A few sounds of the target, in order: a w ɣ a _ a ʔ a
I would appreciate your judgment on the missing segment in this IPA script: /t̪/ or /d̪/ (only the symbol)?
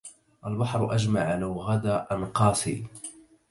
d̪